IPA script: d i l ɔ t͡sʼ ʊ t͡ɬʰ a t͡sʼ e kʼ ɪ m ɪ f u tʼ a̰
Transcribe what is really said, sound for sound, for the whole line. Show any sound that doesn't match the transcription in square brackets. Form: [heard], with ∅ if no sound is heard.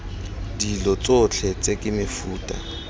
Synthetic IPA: d i l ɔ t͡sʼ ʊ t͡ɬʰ [ɛ] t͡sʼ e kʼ ɪ m ɪ f [uː] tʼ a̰